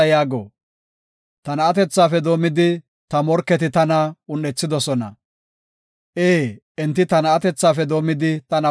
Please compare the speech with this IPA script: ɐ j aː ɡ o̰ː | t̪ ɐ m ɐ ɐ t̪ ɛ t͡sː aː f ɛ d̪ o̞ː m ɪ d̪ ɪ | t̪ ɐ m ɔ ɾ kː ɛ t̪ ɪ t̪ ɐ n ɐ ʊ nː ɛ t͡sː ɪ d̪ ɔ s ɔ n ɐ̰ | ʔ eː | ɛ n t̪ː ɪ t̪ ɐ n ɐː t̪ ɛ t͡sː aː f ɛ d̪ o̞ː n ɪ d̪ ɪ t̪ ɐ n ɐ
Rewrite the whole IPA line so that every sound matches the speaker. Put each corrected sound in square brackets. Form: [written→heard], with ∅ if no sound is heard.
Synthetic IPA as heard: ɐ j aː ɡ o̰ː | t̪ ɐ [m→n] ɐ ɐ t̪ ɛ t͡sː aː f ɛ d̪ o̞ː m ɪ d̪ ɪ | t̪ ɐ m ɔ ɾ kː ɛ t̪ ɪ t̪ ɐ n ɐ ʊ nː ɛ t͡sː ɪ d̪ ɔ s ɔ n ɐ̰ | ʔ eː | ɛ n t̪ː ɪ t̪ ɐ n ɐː t̪ ɛ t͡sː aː f ɛ d̪ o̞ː [n→m] ɪ d̪ ɪ t̪ ɐ n ɐ